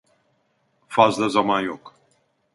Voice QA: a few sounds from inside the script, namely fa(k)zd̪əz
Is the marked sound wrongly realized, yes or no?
yes